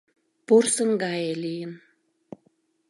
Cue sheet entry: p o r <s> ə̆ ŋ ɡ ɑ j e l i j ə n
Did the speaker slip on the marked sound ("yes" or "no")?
no